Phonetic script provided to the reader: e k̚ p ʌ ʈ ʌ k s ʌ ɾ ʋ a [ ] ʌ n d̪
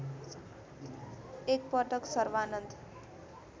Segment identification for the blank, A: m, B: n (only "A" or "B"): B